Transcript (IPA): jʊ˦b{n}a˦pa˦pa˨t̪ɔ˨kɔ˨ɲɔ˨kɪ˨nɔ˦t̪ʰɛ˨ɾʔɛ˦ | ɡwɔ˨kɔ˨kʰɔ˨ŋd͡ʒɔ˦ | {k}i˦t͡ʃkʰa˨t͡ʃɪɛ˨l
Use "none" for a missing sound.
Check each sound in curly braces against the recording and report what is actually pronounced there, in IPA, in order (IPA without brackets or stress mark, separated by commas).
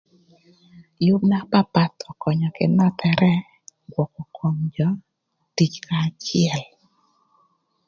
n, t